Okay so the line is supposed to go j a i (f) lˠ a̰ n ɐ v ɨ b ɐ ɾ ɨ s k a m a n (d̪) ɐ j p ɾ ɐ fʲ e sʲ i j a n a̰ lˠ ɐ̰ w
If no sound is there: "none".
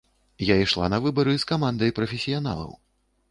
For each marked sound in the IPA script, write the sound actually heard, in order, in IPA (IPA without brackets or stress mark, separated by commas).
ʂ, d̪